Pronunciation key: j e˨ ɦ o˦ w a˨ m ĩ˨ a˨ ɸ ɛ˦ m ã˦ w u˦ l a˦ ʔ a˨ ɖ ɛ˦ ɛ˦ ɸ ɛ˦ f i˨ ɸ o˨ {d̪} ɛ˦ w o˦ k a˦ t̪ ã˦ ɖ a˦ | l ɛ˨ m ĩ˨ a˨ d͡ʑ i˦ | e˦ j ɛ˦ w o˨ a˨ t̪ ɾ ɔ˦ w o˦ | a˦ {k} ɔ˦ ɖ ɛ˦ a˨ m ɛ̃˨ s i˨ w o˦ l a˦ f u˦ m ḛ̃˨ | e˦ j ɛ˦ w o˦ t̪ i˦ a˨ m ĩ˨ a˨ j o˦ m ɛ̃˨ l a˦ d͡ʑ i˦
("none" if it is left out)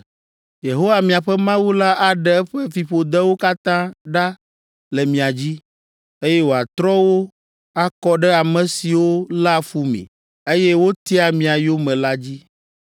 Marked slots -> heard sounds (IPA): d̪, k

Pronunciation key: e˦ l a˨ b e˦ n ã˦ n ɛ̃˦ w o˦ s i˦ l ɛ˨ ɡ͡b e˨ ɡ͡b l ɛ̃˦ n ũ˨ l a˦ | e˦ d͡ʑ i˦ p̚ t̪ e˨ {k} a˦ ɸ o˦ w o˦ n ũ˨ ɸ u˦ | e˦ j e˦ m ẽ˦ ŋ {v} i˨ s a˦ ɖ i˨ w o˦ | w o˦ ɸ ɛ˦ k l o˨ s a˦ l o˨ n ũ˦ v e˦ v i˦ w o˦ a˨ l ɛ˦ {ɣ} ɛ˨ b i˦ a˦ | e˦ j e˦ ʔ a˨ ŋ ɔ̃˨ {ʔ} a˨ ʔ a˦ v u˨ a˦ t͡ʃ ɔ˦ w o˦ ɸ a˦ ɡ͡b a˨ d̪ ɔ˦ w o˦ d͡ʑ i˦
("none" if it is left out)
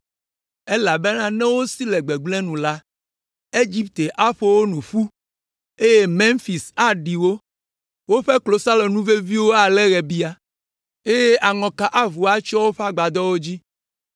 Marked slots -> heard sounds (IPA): ʔ, f, ɣ, k

